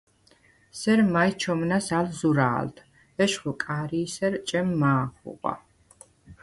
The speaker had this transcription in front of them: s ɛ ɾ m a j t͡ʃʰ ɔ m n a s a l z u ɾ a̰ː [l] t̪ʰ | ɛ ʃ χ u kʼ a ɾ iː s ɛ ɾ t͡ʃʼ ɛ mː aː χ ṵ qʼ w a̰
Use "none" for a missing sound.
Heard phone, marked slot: l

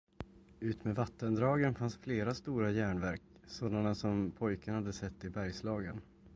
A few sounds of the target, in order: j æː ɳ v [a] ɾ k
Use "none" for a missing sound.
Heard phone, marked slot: æ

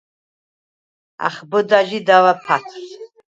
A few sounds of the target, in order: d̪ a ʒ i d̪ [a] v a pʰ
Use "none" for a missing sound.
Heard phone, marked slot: a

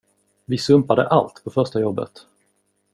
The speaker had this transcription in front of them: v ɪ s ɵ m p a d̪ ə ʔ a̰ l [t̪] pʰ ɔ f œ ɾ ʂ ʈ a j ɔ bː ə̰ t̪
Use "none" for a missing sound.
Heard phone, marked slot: t̪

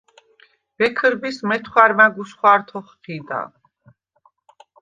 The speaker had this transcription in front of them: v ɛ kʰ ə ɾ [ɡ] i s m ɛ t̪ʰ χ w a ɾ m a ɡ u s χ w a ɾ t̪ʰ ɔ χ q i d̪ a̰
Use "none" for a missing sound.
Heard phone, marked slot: b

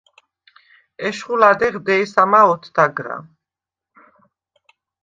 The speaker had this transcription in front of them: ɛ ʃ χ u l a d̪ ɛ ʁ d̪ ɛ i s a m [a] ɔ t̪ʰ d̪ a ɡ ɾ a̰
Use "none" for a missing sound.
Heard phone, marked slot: a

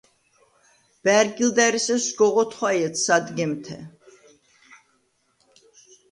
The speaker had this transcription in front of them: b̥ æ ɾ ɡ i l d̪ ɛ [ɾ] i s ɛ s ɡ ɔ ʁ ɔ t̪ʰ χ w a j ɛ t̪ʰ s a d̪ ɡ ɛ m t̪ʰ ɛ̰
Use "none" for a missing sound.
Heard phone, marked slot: ɾ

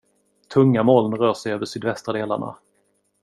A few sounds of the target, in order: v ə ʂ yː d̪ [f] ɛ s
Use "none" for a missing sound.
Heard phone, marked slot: v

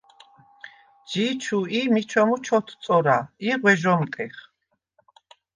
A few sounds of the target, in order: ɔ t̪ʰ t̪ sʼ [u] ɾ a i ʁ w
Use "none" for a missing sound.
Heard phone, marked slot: ɔ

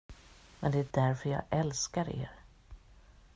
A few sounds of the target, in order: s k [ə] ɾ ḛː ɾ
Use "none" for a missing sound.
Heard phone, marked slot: a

